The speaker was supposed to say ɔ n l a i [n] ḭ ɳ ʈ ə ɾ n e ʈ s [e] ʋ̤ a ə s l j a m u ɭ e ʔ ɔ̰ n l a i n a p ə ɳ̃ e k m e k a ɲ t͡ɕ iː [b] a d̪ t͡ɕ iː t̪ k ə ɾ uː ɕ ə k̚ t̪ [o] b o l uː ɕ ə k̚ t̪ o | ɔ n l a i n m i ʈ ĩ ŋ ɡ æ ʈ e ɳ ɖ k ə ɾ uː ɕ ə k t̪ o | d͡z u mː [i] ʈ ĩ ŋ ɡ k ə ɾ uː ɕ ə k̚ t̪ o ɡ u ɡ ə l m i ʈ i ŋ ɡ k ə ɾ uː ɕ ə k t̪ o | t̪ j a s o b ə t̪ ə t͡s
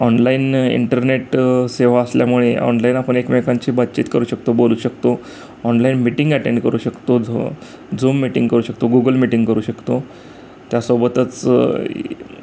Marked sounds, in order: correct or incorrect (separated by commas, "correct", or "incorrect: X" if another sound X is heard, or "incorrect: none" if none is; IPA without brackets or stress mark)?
correct, correct, correct, correct, correct